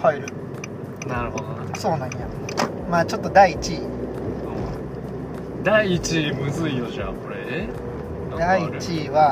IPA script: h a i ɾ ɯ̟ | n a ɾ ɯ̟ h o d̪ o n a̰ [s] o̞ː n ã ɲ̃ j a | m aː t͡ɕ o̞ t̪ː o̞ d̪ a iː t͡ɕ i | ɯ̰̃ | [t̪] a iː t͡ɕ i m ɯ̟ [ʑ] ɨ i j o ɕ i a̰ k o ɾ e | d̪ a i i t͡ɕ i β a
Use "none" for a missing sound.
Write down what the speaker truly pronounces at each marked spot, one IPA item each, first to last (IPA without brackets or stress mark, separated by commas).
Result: s, d̪, z